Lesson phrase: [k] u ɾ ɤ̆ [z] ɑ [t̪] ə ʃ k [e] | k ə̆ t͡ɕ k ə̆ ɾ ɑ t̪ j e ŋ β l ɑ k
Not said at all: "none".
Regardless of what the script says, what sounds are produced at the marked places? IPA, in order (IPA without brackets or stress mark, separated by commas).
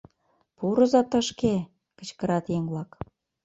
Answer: p, z, t̪, e